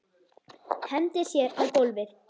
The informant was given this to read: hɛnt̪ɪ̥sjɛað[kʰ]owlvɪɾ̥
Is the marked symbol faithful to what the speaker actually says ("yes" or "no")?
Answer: no